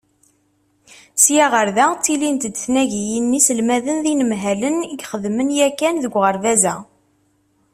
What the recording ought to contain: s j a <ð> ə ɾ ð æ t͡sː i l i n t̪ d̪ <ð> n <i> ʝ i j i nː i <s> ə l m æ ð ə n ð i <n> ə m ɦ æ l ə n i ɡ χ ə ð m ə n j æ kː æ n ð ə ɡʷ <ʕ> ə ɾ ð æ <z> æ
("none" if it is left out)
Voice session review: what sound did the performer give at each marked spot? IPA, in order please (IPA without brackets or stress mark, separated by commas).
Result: ʁ, θ, æ, s, n, ʁ, z